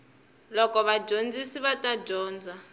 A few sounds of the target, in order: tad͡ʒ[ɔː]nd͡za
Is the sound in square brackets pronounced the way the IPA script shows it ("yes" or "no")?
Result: yes